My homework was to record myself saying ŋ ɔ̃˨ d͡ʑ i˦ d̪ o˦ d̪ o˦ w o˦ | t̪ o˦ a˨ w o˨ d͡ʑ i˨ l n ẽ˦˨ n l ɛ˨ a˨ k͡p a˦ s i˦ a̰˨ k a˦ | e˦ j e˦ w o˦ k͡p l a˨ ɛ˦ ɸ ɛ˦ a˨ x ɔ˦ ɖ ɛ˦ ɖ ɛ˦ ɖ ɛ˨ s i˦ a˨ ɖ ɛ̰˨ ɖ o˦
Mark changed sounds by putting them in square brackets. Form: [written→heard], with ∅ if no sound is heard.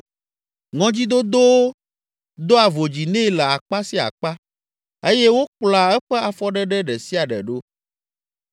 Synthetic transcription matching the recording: ŋ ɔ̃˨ d͡ʑ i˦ d̪ o˦ d̪ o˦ w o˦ | [t̪→d̪] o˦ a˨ [w→v] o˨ d͡ʑ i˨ [l→∅] n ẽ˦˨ [n→∅] l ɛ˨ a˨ k͡p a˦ s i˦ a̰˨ [k→k͡p] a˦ | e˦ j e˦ w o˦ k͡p l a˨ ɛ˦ ɸ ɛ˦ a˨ [x→f] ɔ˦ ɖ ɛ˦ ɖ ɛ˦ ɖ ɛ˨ s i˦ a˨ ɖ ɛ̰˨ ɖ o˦